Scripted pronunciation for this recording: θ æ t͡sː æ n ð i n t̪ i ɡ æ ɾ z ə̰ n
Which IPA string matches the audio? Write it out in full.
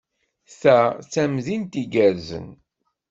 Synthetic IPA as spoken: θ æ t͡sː æ m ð i n t̪ i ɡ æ ɾ z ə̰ n